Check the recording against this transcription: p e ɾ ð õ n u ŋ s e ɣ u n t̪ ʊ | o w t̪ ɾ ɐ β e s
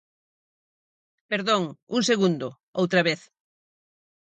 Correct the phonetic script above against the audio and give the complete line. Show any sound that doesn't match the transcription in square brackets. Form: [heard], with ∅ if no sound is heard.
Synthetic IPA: p e ɾ ð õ [ŋ] u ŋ s e ɣ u n [d̪] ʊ | o w t̪ ɾ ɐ β e [θ]